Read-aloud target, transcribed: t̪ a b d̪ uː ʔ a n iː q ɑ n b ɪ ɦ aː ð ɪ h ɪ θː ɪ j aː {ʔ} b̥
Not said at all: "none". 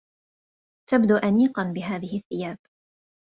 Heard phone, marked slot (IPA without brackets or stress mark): none